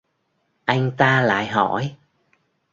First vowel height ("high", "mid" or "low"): low